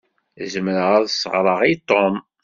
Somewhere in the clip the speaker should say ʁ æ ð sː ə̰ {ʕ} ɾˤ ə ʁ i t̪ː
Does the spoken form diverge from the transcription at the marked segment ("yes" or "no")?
yes